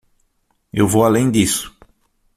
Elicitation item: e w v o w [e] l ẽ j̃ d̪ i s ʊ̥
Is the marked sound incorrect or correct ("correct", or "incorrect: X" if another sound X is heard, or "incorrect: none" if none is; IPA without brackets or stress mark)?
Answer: incorrect: a